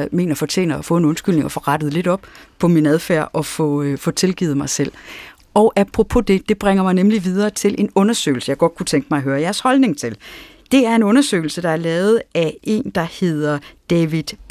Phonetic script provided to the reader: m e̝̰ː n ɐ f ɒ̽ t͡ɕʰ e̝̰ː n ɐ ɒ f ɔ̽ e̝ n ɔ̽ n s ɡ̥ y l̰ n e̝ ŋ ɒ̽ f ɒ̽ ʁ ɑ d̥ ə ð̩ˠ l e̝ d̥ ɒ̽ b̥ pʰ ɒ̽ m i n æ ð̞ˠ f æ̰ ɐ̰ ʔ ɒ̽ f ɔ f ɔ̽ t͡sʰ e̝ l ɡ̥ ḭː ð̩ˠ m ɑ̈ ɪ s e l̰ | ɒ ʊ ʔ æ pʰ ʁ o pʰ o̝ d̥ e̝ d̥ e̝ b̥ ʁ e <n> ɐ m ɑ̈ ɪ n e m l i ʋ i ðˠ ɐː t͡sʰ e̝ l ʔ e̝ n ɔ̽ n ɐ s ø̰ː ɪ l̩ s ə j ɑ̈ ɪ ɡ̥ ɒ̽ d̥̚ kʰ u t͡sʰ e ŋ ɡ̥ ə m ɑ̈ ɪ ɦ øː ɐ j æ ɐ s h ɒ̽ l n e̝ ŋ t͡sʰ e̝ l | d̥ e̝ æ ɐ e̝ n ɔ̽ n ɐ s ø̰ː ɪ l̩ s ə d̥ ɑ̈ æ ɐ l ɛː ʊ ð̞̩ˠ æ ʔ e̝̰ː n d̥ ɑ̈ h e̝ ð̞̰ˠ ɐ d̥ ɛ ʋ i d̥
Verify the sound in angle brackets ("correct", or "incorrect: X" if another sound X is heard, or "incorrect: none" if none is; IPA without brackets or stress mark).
incorrect: ŋ